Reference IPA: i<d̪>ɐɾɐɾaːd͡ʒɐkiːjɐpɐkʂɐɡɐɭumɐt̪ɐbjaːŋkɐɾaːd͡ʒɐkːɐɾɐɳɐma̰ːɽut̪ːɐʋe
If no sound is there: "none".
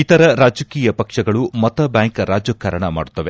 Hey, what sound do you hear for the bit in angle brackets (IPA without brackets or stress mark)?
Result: t̪